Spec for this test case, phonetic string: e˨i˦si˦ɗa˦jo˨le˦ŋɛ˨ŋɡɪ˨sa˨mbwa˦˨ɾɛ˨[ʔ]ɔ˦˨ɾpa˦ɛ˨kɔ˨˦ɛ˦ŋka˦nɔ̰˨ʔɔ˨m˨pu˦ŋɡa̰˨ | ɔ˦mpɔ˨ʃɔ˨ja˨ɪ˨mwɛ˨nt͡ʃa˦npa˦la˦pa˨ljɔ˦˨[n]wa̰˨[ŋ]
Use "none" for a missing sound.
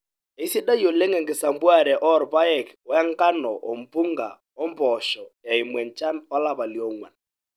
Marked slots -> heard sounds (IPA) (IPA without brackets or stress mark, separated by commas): ʔ, ŋ, n